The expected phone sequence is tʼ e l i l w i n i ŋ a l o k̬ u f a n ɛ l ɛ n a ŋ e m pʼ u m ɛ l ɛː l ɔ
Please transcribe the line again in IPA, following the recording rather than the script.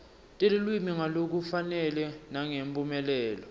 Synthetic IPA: tʼ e l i l w i m i ŋ a l o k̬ u f a n ɛ l ɛ n a ŋ e m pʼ u m ɛ l ɛː l ɔ